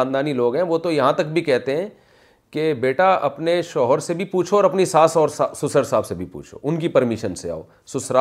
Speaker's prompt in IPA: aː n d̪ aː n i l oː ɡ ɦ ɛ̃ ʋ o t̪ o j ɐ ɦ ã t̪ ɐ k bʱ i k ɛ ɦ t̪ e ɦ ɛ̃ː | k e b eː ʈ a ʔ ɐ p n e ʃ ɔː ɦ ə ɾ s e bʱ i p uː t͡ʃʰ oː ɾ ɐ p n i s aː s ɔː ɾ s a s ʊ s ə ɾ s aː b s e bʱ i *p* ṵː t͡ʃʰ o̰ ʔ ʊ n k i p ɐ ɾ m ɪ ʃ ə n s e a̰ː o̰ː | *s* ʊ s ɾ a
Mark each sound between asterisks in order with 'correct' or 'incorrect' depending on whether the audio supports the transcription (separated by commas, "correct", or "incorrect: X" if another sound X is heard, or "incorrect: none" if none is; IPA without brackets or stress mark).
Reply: correct, correct